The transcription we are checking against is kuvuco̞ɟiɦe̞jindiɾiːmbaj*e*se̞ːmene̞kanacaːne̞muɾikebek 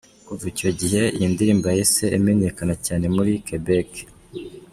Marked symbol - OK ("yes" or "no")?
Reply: yes